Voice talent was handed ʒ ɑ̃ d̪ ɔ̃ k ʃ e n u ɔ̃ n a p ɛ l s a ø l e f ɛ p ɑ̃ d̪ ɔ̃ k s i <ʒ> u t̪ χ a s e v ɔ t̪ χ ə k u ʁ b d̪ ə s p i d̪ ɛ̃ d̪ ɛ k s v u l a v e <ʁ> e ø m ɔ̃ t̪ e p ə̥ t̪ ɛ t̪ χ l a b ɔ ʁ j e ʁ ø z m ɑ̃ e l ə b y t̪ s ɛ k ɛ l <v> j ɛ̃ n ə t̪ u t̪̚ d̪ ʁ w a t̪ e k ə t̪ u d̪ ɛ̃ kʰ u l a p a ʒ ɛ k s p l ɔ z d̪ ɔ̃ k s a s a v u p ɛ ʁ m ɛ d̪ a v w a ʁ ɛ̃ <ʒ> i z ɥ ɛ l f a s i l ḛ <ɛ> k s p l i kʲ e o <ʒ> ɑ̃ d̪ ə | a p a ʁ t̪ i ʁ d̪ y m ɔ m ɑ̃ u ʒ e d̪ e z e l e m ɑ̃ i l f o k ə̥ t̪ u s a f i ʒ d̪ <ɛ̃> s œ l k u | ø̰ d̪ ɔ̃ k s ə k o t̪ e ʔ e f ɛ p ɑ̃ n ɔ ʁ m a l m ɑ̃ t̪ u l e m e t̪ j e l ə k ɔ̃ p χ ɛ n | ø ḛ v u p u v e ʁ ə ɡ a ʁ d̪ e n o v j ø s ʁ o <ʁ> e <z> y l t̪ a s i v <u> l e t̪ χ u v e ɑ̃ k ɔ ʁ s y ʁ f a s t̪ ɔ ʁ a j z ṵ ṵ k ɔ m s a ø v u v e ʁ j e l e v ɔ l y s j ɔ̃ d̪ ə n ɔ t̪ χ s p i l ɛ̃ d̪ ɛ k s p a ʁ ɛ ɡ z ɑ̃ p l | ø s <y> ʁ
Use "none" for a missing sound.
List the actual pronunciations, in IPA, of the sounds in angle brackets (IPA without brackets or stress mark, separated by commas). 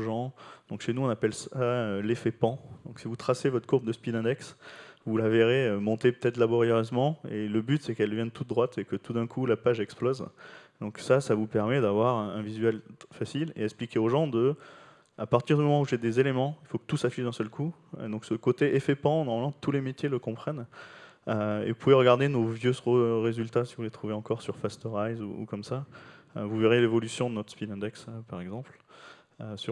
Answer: v, ʁ, v, v, ɛ, ʒ, ɛ̃, ʁ, z, u, y